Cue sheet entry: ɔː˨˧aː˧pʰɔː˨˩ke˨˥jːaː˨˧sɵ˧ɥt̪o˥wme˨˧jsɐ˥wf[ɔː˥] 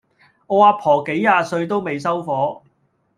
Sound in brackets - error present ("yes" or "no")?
yes